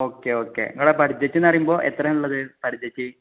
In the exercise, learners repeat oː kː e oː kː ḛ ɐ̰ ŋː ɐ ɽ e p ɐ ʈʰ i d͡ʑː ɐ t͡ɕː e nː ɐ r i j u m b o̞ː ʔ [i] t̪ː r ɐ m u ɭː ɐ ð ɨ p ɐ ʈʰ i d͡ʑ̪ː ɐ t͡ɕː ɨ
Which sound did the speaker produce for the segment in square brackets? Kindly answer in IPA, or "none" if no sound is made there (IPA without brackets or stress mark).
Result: e